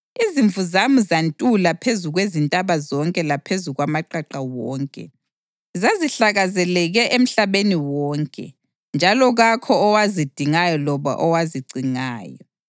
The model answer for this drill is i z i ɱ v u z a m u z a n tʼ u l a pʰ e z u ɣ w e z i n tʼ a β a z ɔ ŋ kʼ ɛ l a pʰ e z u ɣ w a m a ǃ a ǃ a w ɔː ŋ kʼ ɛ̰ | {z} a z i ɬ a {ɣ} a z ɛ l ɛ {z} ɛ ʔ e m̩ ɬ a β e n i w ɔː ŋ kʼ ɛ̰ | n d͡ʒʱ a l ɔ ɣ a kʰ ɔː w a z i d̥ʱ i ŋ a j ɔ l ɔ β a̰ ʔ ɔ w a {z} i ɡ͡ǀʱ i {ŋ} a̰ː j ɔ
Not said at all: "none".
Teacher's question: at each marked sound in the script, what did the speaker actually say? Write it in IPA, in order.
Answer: z, ɣ, ɣ, z, ŋ

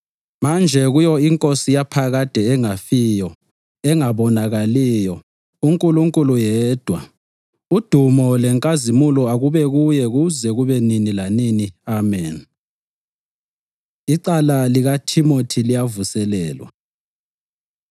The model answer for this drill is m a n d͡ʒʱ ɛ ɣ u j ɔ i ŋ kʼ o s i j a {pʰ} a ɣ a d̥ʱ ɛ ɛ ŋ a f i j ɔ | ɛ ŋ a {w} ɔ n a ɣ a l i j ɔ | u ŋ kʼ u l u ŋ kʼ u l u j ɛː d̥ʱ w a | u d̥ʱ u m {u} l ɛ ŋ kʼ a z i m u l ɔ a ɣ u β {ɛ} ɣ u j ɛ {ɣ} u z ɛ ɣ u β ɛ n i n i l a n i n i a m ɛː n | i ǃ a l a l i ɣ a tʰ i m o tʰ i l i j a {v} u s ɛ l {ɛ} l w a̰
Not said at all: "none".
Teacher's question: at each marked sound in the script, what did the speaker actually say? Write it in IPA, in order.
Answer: pʰ, β, ɔ, ɛ, ɣ, v, ɛː

